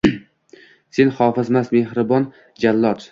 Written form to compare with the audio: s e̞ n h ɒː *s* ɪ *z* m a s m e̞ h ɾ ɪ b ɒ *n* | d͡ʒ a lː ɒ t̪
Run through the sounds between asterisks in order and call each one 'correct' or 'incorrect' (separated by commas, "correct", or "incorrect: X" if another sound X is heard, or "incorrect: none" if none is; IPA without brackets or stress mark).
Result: incorrect: f, correct, correct